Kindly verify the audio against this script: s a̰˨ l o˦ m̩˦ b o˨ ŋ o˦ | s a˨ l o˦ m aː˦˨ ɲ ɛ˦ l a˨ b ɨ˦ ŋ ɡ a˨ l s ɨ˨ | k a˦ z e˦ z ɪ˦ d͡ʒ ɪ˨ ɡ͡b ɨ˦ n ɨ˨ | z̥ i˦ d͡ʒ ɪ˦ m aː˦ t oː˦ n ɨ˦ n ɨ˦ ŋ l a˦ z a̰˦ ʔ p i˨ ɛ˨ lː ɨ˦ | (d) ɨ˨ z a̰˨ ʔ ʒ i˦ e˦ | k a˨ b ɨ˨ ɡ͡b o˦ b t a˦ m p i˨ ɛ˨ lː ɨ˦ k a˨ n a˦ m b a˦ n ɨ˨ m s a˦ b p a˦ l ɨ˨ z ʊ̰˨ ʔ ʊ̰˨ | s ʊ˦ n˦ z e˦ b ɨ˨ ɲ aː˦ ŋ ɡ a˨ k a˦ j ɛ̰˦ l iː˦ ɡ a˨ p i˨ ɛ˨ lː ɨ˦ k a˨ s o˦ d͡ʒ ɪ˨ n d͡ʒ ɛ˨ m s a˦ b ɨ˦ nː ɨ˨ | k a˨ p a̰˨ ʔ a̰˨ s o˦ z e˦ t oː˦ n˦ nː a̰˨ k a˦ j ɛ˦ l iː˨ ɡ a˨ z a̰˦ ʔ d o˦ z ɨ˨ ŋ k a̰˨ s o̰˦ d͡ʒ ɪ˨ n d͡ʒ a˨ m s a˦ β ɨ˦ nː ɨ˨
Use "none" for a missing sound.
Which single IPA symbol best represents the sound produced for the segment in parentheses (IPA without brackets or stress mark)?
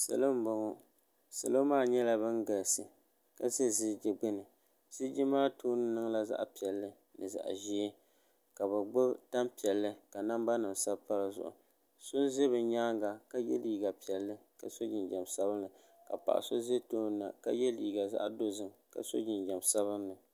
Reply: n